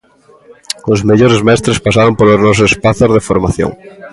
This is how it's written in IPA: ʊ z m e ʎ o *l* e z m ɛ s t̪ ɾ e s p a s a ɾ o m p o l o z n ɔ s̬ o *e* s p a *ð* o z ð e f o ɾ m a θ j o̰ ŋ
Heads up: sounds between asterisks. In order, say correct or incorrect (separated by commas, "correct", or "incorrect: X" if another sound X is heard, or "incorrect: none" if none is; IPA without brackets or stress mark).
incorrect: ɾ, correct, incorrect: θ